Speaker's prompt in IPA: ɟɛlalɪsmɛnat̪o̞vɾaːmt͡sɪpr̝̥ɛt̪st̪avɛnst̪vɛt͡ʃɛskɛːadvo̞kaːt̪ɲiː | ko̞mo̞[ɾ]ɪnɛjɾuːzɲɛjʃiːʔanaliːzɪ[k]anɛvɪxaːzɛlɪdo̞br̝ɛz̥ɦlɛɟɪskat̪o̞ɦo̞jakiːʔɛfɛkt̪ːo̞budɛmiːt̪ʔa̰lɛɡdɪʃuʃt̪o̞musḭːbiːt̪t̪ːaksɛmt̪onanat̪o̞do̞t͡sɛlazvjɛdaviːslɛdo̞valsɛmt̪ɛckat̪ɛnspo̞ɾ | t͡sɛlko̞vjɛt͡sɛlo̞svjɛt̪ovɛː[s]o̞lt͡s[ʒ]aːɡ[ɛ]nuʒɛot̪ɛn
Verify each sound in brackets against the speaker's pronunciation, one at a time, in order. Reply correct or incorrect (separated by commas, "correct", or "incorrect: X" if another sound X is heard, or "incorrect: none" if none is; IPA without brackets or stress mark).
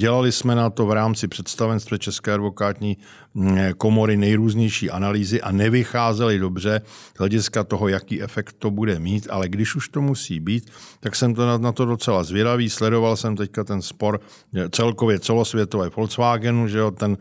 correct, incorrect: ʔ, incorrect: f, incorrect: v, correct